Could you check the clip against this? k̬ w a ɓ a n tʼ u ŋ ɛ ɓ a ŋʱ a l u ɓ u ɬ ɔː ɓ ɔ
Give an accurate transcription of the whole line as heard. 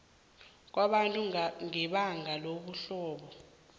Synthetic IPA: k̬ w a ɓ a n tʼ u ŋ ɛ ɓ a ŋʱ a l o ɓ u ɬ ɔː ɓ ɔ